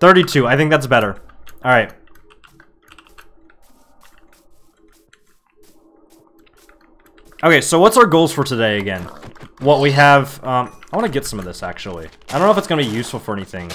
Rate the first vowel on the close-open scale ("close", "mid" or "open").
mid